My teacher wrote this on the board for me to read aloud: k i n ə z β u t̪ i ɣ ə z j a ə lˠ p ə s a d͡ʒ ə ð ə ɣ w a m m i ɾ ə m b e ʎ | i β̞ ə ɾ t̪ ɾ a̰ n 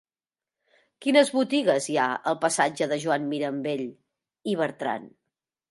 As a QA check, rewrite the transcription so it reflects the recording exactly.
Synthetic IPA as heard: k i n ə z β u t̪ i ɣ ə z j a ə lˠ p ə s a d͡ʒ ə ð ə ʒ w a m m i ɾ ə m b e ʎ | i β̞ ə ɾ t̪ ɾ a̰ n